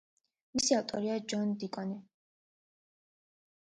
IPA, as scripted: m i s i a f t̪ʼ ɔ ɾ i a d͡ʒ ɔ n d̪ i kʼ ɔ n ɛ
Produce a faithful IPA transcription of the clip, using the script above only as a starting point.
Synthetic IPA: m i s i a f t̪ʼ ɔ ɾ i a d͡ʒ ɔ n d̪ i kʼ ɔ n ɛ